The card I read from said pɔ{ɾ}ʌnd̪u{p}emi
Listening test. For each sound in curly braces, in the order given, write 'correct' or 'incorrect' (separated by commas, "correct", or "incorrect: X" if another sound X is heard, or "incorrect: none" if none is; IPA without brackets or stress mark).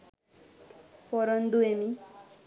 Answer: correct, incorrect: none